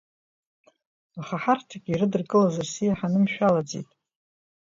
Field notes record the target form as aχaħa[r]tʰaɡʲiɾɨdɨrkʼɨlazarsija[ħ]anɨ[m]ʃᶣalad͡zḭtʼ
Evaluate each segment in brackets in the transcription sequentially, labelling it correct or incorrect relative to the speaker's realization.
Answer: correct, correct, correct

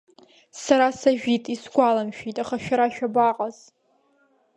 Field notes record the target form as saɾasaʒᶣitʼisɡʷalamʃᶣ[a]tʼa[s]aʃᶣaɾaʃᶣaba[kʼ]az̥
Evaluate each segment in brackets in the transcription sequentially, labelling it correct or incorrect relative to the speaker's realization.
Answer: incorrect: i, incorrect: χ, incorrect: qʼ

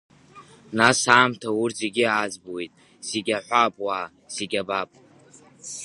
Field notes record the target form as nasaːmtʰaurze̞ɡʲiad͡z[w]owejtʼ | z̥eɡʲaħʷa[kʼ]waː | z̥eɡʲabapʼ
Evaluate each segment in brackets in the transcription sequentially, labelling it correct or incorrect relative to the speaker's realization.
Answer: incorrect: b, incorrect: pʼ

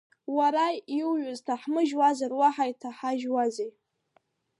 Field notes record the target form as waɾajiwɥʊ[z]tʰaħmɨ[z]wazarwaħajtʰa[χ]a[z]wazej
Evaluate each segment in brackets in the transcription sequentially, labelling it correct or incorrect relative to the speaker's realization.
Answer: correct, incorrect: ʒ, incorrect: ħ, incorrect: ʒ

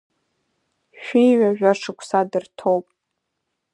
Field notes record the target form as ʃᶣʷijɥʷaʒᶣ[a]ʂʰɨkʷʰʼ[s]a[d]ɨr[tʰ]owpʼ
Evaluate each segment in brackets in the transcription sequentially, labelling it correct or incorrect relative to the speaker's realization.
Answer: correct, correct, correct, correct

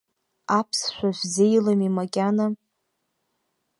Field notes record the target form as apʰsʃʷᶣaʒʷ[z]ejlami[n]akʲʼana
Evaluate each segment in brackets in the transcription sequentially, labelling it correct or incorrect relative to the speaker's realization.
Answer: correct, incorrect: m

